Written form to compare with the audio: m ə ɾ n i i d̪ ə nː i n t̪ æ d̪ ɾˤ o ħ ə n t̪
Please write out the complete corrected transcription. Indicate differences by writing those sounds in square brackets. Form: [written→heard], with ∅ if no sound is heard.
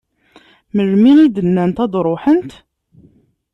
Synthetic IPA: m ə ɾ [n→m] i i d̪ ə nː [i→æ] n t̪ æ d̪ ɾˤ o ħ ə n t̪